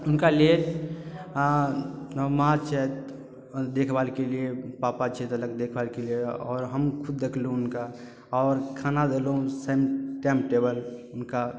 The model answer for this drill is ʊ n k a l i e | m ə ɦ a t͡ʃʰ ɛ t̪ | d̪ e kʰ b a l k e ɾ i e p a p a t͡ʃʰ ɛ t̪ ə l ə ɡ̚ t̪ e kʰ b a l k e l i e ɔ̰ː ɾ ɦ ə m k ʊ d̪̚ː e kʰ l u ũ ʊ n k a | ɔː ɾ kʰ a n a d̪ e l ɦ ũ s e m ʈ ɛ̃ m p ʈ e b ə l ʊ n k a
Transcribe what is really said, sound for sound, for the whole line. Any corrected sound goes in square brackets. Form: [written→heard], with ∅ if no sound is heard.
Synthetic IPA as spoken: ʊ n k a l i e | m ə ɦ a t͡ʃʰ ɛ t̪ | d̪ e kʰ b a l k e [ɾ→l] i e p a p a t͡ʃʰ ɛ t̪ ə l ə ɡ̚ [t̪→d̪] e kʰ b a l k e l i e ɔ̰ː ɾ ɦ ə m [k→kʰ] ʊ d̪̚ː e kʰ l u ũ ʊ n k a | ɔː ɾ kʰ a n a d̪ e l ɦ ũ s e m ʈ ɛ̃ m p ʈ e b ə l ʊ n k a